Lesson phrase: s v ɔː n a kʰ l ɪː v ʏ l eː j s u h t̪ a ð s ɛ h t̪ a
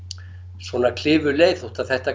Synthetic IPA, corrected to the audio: s v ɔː n a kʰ l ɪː v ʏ l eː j θ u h t̪ a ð θ ɛ h t̪ a